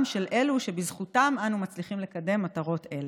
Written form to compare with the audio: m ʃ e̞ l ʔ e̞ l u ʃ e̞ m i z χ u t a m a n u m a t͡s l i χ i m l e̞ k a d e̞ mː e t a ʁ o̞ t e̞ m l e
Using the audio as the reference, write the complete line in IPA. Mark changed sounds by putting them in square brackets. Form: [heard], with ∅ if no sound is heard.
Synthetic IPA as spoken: m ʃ e̞ l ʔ e̞ l u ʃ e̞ [b] i z χ u t a m a n u m a t͡s l i χ i m l e̞ k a d e̞ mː [a] t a ʁ o̞ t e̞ [∅] l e